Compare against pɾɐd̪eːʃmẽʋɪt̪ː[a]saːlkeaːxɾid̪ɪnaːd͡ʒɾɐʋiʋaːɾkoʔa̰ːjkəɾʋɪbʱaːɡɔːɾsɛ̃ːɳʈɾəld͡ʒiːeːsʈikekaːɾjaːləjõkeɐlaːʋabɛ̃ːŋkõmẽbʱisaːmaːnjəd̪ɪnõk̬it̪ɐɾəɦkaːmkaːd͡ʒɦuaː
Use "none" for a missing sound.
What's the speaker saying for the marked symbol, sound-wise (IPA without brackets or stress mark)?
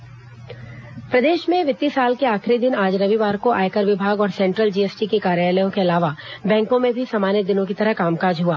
i